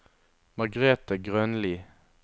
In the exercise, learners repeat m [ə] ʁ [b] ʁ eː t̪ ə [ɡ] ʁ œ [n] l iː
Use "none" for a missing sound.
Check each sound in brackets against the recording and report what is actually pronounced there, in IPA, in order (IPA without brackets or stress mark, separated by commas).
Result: ɑ, ɡ, ɡ, n